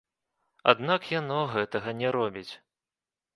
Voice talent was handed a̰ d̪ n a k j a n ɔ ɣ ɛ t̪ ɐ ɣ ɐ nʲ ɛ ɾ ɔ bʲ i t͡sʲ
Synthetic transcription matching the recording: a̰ d̪ n a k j a n ɔ ɣ ɛ t̪ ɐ ɣ ɐ nʲ ɛ ɾ ɔ bʲ i t͡sʲ

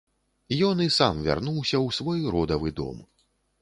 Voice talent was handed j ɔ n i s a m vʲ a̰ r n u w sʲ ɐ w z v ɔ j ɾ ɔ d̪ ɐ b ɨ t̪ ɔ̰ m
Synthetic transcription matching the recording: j ɔ n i s a m vʲ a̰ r n u w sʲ ɐ w s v ɔ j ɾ ɔ d̪ ɐ v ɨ d̪ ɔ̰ m

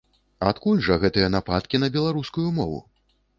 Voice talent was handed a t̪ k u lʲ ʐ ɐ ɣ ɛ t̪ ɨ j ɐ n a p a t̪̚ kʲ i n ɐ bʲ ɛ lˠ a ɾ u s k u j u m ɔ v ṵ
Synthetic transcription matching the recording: a t̪ k u lʲ ʐ ɐ ɣ ɛ t̪ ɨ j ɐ n a p a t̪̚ kʲ i n ɐ bʲ ɛ lˠ a ɾ u s k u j u m ɔ v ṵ

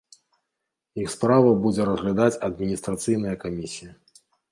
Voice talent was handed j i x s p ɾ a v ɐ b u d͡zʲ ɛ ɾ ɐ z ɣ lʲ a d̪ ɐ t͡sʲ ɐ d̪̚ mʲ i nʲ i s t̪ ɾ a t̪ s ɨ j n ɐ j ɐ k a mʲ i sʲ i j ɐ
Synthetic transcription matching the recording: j i x s p ɾ a v ɐ b u d͡zʲ ɛ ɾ ɐ z ɣ lʲ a d̪ a t͡sʲ ɐ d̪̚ mʲ i nʲ i s t̪ ɾ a t̪ s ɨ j n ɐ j ɐ k a mʲ i sʲ i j ɐ

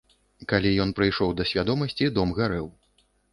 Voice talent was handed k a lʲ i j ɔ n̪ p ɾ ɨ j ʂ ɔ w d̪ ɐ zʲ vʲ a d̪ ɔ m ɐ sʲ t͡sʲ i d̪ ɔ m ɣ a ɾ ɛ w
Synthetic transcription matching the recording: k a lʲ i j ɔ n̪ p ɾ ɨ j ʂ ɔ w d̪ ɐ sʲ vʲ a d̪ ɔ m ɐ sʲ t͡sʲ i d̪ ɔ m ɣ a ɾ ɛ w

